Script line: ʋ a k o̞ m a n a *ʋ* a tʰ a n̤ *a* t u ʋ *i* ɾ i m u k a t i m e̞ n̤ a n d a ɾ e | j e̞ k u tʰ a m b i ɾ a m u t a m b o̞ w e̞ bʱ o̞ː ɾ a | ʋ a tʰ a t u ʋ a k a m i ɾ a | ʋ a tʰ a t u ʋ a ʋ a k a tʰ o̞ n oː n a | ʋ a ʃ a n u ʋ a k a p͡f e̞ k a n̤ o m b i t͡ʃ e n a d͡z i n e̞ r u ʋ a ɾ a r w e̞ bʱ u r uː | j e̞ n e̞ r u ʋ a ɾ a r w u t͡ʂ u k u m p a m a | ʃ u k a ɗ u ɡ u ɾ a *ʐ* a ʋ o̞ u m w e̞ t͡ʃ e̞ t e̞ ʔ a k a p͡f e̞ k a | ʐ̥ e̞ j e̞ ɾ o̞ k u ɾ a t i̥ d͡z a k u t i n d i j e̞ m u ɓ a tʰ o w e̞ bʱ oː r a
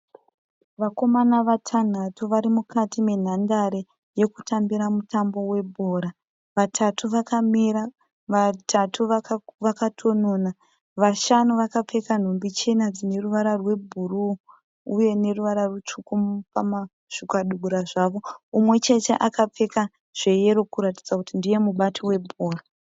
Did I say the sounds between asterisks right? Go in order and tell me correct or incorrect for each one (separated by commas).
correct, correct, incorrect, correct